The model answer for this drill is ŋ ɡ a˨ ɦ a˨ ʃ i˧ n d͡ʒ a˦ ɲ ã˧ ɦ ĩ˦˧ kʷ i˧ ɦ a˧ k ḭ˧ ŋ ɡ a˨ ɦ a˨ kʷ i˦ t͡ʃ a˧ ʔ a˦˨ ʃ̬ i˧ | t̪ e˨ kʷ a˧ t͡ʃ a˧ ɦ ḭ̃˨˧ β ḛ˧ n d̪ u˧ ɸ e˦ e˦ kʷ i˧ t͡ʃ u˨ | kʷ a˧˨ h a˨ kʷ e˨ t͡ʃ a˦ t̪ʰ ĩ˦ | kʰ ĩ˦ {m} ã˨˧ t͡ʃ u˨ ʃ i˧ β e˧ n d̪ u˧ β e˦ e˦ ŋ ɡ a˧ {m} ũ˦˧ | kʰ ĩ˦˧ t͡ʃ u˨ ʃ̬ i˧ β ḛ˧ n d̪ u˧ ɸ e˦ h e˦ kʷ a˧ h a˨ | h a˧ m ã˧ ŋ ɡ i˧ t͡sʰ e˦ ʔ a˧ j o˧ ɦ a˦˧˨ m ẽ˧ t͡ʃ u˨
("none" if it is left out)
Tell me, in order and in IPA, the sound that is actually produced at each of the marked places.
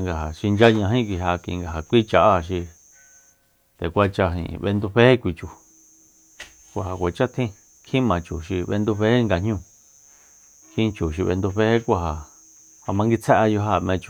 m, ɲ

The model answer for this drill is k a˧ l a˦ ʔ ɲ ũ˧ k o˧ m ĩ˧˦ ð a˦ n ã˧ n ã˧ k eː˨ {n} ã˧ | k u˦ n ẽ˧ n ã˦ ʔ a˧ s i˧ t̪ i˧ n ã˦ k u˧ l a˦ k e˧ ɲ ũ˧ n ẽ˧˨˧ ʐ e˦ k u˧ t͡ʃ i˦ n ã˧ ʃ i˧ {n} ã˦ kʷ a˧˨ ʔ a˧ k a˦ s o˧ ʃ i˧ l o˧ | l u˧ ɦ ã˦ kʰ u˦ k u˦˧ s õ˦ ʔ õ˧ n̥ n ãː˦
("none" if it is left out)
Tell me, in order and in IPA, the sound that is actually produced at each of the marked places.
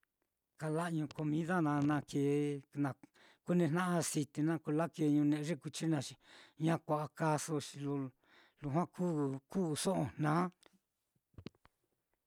n, ɲ

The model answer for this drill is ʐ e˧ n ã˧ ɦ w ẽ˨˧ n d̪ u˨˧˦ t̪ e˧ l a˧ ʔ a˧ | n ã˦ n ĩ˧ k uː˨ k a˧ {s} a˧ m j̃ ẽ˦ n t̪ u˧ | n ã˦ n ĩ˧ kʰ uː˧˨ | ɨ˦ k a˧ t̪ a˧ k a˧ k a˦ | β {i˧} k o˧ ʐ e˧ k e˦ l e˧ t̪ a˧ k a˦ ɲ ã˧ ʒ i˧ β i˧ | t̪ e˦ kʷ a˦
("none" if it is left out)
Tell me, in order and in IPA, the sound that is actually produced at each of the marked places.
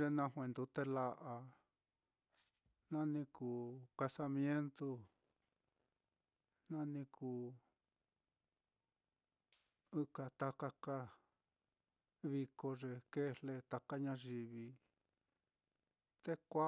s, i˧

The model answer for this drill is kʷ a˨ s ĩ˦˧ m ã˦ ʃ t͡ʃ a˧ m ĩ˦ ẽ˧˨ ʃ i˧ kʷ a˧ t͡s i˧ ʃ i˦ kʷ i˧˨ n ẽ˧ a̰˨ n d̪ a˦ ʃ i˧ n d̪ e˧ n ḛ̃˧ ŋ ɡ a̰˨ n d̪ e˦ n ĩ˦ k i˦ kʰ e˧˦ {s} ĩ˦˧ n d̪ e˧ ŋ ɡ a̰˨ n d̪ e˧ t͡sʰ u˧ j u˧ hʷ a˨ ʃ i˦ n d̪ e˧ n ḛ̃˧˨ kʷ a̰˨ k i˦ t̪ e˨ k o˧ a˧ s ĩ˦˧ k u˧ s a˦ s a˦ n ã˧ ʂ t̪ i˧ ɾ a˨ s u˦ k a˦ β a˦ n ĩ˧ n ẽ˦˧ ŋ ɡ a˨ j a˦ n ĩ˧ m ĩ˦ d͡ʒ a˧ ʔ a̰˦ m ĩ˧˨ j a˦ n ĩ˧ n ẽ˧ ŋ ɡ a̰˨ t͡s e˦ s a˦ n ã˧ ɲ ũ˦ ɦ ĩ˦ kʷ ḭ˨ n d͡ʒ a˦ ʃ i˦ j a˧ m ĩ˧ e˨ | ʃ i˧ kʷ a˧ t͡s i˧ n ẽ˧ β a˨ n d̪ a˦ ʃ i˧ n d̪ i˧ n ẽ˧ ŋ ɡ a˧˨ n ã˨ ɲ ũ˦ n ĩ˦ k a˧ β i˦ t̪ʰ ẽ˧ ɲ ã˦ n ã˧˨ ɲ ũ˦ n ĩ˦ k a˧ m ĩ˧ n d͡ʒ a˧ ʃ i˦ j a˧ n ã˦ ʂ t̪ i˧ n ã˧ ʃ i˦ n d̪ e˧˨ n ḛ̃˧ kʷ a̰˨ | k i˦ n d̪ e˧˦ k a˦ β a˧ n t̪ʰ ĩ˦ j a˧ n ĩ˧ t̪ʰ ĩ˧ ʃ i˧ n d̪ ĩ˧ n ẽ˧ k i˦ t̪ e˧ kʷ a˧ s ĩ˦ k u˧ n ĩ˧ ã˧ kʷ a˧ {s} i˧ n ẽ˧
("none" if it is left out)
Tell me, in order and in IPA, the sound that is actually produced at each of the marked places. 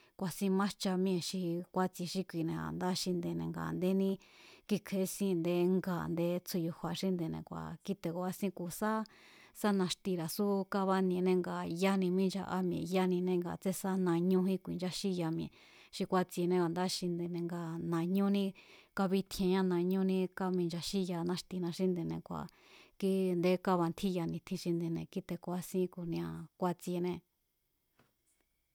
s, t͡s

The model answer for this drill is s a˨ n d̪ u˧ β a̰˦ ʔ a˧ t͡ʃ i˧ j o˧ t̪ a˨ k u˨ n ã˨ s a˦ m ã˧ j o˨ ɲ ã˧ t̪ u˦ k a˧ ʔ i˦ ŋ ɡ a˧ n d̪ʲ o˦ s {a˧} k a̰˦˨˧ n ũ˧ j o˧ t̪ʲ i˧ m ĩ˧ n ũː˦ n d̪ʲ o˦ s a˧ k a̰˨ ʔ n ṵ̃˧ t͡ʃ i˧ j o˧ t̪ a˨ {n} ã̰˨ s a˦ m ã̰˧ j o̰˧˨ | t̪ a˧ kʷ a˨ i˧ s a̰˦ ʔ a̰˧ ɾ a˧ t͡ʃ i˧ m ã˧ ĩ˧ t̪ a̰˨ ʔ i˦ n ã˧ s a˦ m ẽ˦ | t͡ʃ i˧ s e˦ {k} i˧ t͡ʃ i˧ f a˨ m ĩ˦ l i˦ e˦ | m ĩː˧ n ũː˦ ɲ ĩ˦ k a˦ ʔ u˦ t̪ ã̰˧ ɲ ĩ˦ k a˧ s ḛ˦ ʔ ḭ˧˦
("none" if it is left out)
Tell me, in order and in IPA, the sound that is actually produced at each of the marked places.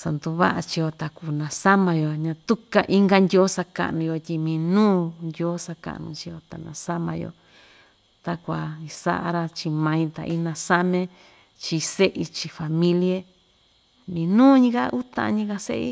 a˧, n, ʔ

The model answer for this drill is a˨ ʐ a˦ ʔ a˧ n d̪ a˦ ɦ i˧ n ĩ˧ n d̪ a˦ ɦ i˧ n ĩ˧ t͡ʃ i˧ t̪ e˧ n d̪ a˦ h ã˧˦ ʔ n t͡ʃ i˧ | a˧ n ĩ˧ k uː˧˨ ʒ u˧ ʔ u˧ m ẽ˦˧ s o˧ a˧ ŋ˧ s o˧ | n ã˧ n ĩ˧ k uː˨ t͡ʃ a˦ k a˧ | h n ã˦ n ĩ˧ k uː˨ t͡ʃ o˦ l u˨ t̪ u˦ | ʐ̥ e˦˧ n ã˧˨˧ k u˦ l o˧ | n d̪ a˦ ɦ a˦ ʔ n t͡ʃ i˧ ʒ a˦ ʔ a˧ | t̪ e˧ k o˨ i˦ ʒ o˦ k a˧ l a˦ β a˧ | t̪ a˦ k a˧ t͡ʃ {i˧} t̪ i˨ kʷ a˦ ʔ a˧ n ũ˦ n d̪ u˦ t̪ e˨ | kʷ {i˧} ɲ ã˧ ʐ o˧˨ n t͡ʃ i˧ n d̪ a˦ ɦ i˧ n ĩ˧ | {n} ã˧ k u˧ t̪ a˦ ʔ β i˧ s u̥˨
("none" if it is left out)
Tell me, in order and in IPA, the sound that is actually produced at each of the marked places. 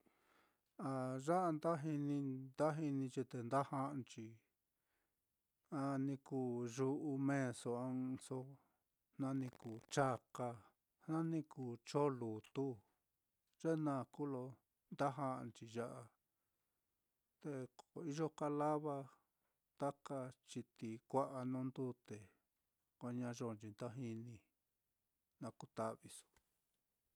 i˧, a˧, n

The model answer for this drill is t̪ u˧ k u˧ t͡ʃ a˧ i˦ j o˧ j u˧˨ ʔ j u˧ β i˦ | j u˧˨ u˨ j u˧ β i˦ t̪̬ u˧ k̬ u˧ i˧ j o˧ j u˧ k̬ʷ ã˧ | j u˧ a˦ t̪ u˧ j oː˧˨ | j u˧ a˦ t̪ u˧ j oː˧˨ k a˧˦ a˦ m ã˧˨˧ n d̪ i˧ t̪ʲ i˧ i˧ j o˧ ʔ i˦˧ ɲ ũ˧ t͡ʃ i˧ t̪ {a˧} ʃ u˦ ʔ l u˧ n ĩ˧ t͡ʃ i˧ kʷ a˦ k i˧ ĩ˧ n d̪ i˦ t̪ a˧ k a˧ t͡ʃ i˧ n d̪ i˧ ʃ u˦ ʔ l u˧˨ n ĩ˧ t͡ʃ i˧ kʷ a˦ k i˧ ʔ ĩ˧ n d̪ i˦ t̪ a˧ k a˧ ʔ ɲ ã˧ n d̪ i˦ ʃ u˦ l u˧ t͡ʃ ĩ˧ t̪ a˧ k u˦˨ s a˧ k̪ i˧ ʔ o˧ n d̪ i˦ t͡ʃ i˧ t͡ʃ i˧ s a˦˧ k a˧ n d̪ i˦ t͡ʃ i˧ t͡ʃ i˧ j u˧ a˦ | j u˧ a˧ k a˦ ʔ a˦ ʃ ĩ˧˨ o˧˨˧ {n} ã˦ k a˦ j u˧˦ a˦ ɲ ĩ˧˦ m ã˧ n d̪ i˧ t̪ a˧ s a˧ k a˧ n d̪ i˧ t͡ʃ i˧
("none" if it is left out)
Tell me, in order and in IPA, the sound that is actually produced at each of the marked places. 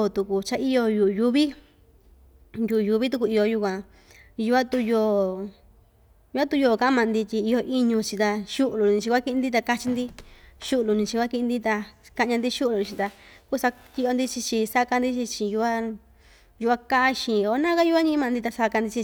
a˧, n

